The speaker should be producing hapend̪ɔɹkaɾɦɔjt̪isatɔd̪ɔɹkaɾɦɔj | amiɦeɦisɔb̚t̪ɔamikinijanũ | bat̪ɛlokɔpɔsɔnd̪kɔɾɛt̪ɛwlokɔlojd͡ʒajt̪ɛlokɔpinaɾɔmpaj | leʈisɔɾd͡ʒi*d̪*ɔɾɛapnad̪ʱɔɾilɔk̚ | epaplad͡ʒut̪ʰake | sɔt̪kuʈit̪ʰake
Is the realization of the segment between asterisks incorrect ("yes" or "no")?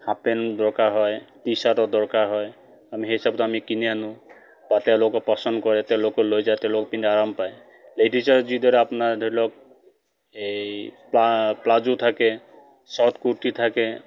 no